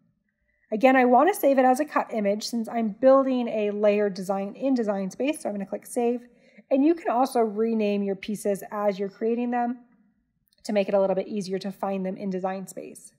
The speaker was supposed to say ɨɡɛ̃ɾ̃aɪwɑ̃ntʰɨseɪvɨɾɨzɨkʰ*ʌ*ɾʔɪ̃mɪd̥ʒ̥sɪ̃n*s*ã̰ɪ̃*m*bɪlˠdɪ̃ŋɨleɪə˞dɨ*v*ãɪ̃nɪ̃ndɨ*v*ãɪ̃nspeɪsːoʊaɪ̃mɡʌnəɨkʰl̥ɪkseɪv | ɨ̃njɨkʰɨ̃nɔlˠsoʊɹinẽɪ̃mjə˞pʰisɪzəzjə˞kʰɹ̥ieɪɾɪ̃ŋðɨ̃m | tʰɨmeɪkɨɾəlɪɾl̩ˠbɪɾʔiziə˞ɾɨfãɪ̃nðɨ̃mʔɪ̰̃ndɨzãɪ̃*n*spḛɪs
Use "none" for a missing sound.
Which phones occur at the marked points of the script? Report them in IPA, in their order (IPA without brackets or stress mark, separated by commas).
ʌ, s, m, z, z, n